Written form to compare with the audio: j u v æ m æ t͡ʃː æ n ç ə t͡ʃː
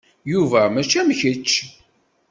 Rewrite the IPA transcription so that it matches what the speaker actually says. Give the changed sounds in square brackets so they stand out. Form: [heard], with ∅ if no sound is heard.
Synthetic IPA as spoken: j u v æ m æ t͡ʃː æ [m] ç ə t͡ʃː

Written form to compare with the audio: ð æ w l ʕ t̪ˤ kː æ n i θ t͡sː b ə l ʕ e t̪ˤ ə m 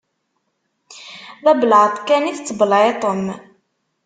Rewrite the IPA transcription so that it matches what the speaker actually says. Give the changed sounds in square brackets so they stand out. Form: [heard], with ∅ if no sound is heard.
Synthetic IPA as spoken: ð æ [b] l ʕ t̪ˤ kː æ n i θ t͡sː b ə l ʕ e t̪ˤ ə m

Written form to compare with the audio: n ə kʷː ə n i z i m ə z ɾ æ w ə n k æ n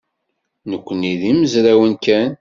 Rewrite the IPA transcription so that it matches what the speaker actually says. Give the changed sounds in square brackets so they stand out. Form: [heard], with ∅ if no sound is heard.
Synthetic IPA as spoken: n ə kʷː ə n i [ð] i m ə z ɾ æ w ə n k æ n

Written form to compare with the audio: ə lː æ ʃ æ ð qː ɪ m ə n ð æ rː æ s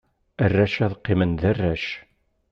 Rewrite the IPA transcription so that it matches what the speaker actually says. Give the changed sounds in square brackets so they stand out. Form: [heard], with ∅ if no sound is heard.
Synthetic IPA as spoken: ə [rː] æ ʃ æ ð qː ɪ m ə n ð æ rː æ [ʃ]

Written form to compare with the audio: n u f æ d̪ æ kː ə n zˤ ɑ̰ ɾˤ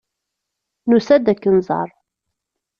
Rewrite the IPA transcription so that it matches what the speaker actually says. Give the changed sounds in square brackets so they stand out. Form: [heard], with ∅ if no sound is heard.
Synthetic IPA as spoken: n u [s] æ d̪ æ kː ə n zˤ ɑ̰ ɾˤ

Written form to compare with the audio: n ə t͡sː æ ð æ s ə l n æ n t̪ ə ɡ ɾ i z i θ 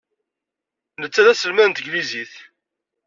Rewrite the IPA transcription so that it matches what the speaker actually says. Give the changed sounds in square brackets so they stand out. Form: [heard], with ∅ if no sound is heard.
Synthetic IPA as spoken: n ə t͡sː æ ð æ s ə l [m] æ n t̪ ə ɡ [l] i z i θ

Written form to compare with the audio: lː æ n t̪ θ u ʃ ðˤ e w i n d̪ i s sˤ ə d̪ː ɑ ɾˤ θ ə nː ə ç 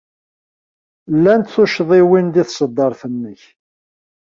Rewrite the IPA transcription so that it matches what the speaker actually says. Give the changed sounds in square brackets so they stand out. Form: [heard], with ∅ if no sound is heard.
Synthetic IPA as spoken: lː æ n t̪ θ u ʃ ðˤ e w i n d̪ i [θ] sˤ ə d̪ː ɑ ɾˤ θ ə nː ə ç

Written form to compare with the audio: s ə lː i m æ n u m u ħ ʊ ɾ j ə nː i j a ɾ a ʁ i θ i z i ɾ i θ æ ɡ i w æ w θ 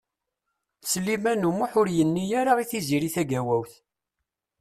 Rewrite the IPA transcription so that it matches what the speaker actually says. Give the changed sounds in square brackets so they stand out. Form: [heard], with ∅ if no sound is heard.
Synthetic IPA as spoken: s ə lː i m æ n u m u ħ ʊ ɾ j ə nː i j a ɾ a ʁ i θ i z i ɾ i θ æ ɡ [æ] w æ w θ

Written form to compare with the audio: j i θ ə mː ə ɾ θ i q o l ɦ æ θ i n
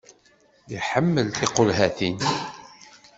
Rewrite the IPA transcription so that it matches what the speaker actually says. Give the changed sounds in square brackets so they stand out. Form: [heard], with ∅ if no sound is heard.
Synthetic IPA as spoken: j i [ħ] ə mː ə [l] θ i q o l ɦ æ θ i n

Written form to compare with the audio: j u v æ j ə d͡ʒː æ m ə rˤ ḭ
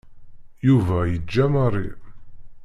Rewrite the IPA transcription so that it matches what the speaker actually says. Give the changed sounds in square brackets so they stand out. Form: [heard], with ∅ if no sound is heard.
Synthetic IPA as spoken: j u v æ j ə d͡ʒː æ m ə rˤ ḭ

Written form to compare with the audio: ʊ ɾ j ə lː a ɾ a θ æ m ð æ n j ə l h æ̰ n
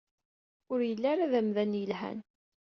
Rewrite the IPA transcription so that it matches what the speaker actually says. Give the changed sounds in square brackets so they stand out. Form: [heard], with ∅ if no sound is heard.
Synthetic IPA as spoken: ʊ ɾ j ə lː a ɾ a [ð] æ m ð æ n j ə l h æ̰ n

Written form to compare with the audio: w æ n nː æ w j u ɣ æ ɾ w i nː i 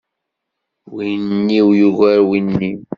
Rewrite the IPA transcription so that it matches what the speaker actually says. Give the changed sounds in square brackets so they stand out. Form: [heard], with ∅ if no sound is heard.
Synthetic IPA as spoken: w [i] n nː [i] w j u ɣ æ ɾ w i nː i

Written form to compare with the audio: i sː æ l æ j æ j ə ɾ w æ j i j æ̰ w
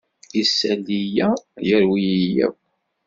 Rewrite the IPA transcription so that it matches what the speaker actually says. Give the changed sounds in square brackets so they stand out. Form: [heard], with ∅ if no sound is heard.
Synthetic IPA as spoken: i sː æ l [i] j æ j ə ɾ w [i] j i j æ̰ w

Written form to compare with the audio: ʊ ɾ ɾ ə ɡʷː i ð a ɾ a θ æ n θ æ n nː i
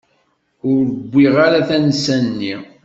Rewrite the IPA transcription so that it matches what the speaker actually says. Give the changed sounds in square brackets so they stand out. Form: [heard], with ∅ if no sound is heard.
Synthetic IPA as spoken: ʊ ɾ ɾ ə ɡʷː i [ʁ] a ɾ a θ æ n [s] æ n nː i

